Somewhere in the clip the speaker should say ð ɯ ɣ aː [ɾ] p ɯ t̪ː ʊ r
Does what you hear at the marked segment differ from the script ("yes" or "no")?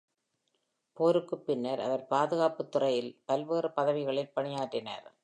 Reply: yes